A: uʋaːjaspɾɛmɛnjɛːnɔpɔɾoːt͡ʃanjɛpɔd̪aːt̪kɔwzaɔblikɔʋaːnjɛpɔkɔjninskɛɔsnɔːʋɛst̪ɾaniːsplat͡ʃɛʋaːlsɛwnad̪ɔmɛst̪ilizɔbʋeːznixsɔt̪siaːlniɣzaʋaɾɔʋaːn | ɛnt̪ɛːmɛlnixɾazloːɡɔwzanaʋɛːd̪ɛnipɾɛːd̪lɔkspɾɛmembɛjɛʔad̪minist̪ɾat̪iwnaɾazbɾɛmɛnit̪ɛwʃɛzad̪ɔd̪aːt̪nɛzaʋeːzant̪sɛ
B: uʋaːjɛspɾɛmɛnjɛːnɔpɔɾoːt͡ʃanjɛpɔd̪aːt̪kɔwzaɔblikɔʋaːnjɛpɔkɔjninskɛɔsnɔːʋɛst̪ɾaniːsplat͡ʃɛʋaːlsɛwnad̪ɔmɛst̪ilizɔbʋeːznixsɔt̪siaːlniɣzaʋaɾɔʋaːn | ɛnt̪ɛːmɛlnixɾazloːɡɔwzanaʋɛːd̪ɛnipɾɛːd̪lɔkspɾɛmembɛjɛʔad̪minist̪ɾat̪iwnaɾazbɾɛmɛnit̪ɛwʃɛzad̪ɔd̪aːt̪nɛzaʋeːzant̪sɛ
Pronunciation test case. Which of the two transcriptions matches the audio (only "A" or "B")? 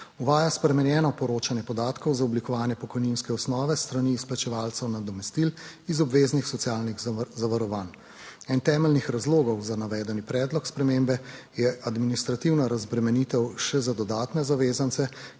A